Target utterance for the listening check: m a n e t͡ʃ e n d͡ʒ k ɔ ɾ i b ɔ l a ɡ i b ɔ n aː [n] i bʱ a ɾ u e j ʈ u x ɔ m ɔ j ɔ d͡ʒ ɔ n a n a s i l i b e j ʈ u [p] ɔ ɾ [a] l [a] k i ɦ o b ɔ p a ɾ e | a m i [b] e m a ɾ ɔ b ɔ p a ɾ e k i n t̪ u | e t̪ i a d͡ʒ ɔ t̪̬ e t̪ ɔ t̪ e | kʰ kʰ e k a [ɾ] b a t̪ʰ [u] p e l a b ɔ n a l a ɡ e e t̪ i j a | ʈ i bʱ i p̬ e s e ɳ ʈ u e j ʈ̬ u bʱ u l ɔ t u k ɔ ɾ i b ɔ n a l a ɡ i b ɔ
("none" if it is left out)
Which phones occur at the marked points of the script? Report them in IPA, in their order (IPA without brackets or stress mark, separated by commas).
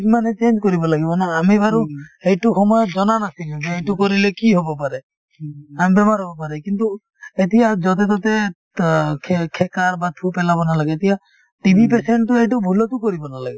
m, k, i, e, b, ɾ, u